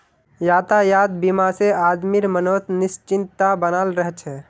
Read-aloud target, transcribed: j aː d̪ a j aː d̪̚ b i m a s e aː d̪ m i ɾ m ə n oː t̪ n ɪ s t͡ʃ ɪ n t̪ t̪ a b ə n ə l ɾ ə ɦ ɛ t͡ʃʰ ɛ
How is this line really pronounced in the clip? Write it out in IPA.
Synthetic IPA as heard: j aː t̪ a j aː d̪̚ b i m a s e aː d̪ m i ɾ m ə n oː t̪ n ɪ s t͡ʃ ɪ n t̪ t̪ a b ə n a l ɾ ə ɦ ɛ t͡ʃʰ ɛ